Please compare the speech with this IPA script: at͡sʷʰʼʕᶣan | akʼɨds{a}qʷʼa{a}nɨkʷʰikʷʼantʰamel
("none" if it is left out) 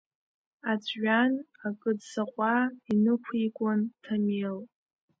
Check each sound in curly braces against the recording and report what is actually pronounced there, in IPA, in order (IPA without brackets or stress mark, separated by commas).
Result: a, i